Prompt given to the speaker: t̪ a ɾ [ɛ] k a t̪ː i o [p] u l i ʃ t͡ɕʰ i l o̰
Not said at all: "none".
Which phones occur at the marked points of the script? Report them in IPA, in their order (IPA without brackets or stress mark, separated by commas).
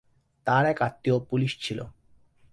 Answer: ɛ, p